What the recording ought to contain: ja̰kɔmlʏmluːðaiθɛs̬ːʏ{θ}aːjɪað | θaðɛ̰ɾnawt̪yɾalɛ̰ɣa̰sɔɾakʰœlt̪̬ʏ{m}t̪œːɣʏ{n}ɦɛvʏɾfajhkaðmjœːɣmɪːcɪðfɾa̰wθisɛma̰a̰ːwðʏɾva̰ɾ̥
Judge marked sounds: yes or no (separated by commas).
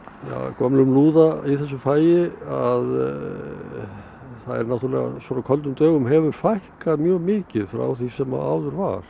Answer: no, yes, no